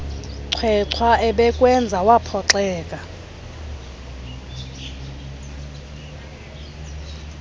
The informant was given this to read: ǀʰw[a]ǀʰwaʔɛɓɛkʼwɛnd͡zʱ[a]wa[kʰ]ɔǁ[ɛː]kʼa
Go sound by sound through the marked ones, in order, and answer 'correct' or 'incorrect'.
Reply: incorrect: ɛ, correct, incorrect: pʰ, correct

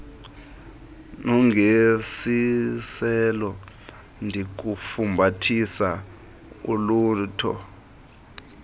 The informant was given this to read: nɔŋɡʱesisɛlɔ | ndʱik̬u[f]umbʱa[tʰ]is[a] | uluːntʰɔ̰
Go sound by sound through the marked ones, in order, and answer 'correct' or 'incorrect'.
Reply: correct, correct, correct

